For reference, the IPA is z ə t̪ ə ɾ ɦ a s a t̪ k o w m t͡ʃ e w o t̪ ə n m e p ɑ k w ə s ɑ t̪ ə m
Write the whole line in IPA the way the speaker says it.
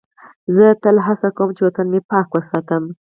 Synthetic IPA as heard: z ə t̪ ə l ɦ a s a k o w m t͡ʃ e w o t̪ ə n m e p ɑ k w ə s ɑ t̪ ə m

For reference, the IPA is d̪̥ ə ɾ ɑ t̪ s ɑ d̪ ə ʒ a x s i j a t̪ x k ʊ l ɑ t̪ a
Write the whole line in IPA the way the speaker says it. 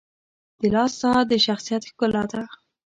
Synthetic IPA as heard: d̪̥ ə l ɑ s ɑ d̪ ə ʃ a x s i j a t̪ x k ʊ l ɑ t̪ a

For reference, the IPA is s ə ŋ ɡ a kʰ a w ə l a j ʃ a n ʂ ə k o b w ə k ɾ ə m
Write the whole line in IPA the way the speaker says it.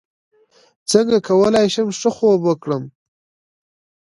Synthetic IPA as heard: t͡s ə ŋ ɡ a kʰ a w ə l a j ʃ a m ʂ ə x o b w ə k ɽ ə m

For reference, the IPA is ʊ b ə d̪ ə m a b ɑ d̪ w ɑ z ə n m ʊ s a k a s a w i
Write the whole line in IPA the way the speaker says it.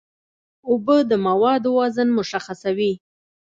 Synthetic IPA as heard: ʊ b ə d̪ ə m a w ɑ d̪ w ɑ z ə n m ʊ ʃ a x a s a w i

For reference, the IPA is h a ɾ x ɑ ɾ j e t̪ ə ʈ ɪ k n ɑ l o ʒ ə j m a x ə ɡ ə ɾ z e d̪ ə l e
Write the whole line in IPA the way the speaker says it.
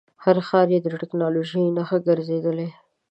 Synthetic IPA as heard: h a ɾ x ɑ ɾ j e d̪ ə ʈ ɪ k n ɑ l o ʒ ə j n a x ə ɡ ə ɾ z e d̪ ə l e

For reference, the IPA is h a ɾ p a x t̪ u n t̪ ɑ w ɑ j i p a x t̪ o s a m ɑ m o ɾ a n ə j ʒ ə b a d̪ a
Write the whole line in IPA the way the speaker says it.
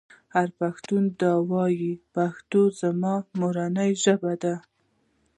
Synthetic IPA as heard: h a ɾ p a x t̪ u n d̪ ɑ w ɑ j i p a x t̪ o z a m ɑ m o ɾ a n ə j ʒ ə b a d̪ a

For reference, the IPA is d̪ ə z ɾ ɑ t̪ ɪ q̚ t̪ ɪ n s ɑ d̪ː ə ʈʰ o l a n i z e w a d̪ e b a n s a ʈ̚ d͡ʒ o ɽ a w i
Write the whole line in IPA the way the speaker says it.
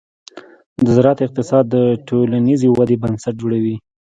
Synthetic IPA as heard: d̪ ə z ɾ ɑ t̪ ɪ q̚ t̪ ɪ s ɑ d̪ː ə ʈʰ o l a n i z e w a d̪ e b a n s a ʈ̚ d͡ʒ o ɽ a w i

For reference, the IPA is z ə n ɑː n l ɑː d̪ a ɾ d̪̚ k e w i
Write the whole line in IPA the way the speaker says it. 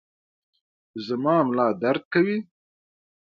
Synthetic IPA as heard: z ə m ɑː m l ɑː d̪ a ɾ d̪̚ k a w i

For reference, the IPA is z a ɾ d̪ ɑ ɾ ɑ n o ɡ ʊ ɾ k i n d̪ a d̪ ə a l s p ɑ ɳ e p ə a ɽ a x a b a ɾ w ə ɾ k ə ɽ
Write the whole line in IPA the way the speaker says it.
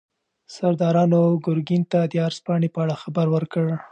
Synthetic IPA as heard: s a ɾ d̪ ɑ ɾ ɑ n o ɡ ʊ ɾ ɡ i n t̪ a d̪ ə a ɾ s p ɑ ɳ e p ə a ɽ a x a b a ɾ w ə ɾ k ə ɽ

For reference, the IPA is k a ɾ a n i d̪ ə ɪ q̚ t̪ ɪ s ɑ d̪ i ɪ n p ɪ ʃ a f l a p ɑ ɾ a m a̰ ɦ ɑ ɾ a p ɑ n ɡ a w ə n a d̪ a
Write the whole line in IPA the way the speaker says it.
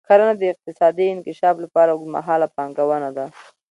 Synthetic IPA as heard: k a ɾ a n a d̪ ə ɪ q̚ t̪ ɪ s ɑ d̪ i ɪ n k ɪ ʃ ɑ f l a p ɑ ɾ a m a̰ ɦ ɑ l a p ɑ ŋ ɡ a w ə n a d̪ a

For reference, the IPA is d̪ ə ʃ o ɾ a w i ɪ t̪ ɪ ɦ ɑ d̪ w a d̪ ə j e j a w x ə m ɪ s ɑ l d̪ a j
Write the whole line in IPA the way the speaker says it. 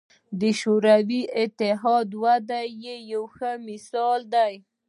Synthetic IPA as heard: d̪ ə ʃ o ɾ a w i ɪ t̪ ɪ ɦ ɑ d̪ w a d̪ a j e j a w x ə m ɪ s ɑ l d̪ a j

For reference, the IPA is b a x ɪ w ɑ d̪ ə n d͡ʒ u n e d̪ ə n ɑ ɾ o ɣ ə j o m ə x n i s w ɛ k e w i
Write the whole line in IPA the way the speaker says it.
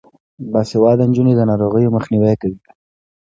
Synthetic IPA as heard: b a s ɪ w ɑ d̪ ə n d͡ʒ u n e d̪ ə n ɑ ɾ o ɣ ə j o m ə x n i w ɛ k a w i

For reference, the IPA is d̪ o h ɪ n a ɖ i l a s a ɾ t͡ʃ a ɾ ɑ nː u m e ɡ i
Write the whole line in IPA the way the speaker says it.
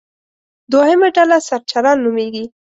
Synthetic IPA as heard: d̪ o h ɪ m a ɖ a l a s a ɾ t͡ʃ a ɾ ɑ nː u m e ɡ i

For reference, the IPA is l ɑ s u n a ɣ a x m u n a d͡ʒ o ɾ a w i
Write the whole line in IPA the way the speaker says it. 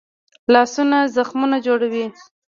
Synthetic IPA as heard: l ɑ s u n a z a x m u n a d͡ʒ o ɽ a w i

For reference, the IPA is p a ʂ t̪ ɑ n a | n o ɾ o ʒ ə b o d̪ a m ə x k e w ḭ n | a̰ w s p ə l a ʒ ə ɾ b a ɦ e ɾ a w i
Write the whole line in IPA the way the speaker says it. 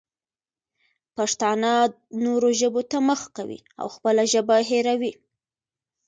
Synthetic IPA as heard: p a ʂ t̪ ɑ n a | n o ɾ o ʒ ə b o t̪ a m ə x k a w ḭ | a̰ w x p ə l a ʒ ə b a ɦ e ɾ a w i

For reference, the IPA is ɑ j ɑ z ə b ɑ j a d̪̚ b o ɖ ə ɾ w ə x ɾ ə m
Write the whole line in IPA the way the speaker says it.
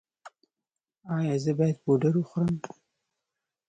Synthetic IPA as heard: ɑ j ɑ z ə b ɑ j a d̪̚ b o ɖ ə ɾ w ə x ɾ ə m

